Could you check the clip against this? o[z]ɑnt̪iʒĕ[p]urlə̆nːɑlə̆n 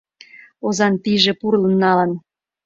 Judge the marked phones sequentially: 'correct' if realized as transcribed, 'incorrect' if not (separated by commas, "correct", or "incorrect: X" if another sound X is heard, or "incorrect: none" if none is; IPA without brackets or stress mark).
correct, correct